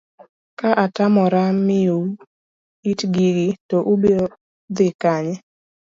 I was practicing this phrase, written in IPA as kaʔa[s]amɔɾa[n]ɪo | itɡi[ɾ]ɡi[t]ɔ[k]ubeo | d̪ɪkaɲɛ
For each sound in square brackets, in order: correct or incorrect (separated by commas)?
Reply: incorrect, incorrect, incorrect, correct, incorrect